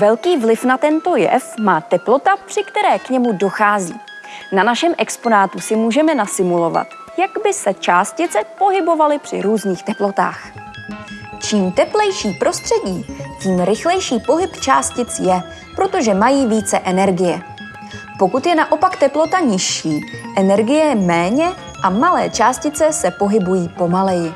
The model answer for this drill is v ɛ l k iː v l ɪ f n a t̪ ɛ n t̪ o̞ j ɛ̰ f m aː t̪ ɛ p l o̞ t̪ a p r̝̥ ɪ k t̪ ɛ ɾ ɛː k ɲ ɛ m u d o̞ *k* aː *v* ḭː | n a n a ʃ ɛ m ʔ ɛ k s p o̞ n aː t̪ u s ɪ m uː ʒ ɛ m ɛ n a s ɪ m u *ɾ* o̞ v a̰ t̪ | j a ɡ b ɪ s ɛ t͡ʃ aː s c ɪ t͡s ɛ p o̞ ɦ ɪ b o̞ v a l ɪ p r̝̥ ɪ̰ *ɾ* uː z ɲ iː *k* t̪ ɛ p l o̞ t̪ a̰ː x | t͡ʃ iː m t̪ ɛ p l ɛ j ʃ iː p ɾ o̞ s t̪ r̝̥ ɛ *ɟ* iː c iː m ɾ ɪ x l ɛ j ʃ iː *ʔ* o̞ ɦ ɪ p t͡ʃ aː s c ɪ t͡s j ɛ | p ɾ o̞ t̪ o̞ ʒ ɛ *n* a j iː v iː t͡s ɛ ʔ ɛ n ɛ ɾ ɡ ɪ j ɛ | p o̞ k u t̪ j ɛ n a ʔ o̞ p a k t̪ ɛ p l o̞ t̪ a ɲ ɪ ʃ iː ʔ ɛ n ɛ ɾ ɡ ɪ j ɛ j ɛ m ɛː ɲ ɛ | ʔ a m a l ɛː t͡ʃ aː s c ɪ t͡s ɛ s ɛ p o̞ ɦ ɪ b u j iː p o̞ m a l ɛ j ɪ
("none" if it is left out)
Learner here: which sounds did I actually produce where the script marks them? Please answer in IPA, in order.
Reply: x, z, l, ɾ, x, ɟ, p, m

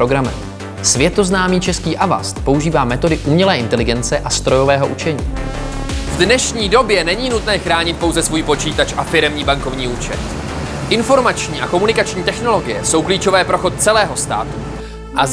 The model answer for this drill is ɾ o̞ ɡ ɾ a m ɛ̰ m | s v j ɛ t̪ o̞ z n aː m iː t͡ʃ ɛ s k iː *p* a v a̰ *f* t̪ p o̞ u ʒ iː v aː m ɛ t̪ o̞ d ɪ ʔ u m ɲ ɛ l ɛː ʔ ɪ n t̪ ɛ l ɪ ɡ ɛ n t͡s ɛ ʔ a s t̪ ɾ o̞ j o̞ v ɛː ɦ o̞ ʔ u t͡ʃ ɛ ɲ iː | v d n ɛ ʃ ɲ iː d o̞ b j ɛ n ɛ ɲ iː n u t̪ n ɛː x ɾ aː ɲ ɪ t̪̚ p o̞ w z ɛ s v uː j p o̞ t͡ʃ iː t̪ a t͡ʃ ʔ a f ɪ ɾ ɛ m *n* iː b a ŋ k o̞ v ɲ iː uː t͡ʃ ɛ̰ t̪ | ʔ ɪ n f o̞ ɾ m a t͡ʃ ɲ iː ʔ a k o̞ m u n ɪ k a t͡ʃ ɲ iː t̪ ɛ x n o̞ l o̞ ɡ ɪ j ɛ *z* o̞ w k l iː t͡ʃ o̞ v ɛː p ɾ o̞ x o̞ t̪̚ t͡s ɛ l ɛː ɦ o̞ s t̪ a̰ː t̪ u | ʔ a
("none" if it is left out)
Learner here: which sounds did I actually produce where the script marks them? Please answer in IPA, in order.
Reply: ʔ, s, ɲ, s

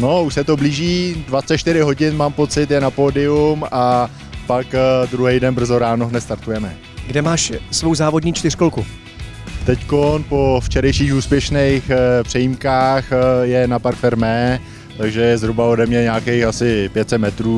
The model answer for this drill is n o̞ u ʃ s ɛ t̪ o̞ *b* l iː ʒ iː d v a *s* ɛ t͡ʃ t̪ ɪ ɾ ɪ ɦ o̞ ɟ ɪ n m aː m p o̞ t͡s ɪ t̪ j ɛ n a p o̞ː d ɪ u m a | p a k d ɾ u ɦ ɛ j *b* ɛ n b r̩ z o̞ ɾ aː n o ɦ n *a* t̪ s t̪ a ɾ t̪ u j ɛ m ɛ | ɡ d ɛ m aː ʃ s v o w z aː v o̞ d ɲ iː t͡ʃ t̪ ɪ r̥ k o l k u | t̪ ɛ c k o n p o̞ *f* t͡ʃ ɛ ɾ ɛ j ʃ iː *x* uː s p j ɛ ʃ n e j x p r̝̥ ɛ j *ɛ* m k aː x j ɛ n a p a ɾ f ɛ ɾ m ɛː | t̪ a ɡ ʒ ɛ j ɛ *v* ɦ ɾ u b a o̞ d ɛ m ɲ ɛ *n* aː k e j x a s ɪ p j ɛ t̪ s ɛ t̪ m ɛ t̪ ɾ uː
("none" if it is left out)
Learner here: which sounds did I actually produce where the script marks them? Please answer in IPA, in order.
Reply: b, t͡s, d, ɛ, f, x, i, z, ɲ

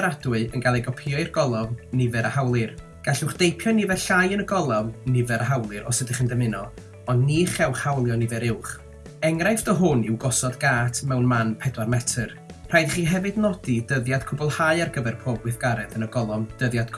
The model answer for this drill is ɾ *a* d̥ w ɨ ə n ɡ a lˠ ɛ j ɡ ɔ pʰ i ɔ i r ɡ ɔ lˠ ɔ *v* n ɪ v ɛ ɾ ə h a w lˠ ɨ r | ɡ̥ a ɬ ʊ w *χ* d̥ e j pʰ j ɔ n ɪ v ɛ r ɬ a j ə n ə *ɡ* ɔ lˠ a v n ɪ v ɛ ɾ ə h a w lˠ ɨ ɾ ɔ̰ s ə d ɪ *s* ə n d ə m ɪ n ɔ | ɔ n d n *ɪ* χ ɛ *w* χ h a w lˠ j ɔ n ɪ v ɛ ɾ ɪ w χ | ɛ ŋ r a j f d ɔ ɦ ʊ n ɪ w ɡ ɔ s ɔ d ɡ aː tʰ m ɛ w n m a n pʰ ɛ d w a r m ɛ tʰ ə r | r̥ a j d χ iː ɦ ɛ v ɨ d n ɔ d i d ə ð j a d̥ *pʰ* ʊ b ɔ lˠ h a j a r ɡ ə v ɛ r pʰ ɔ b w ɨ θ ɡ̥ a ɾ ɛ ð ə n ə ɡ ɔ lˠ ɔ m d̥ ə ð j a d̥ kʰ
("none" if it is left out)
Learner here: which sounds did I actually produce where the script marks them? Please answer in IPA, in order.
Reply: a, v, χ, ɡ, χ, i, w, kʰ

